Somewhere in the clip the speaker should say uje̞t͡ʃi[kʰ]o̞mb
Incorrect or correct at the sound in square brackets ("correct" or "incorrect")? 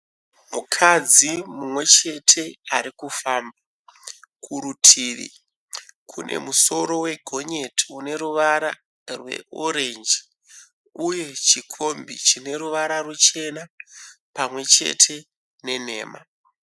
correct